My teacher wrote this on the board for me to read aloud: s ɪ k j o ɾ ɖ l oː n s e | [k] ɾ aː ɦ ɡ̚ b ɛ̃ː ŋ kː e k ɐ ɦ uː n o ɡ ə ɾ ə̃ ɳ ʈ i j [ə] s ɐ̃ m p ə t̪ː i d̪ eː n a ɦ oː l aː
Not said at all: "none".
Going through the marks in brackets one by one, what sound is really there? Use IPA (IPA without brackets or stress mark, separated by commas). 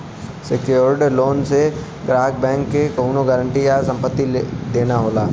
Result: ɡ, a